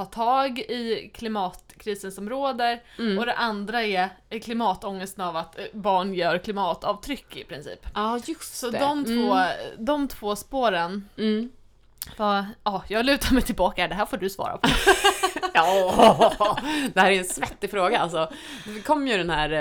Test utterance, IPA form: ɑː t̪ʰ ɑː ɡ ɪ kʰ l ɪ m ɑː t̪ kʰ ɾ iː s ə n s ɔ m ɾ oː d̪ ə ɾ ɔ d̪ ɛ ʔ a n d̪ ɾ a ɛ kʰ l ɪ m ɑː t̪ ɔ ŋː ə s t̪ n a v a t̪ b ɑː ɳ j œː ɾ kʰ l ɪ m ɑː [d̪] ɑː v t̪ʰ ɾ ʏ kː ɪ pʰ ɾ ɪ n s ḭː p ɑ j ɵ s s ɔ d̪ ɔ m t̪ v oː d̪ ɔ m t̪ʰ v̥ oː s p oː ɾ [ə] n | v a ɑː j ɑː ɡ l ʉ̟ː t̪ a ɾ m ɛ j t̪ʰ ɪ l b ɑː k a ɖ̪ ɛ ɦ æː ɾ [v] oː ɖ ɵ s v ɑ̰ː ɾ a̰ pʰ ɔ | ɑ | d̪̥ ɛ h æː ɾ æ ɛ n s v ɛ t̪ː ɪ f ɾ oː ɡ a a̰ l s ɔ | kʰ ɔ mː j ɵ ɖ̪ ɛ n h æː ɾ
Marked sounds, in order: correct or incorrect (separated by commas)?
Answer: incorrect, correct, incorrect